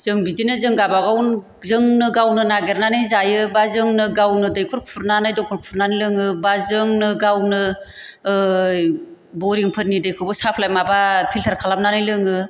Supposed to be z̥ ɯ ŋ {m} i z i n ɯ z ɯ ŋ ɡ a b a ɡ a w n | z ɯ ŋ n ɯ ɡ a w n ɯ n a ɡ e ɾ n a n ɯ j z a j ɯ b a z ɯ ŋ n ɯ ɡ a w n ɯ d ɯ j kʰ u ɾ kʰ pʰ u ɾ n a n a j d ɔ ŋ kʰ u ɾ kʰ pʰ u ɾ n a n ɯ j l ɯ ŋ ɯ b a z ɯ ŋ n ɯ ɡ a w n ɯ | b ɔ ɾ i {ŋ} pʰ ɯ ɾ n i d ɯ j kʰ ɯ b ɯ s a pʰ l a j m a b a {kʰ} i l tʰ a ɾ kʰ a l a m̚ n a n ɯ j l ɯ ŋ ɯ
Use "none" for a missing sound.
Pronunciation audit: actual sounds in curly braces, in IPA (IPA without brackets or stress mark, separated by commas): b, ŋ, pʰ